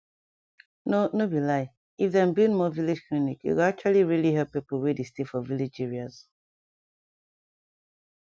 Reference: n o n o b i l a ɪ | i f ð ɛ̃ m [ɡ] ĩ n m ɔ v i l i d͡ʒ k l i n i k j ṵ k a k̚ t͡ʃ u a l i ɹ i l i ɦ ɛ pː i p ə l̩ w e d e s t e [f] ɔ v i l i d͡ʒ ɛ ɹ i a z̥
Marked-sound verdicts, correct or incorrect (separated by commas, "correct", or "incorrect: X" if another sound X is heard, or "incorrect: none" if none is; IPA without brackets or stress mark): incorrect: b, correct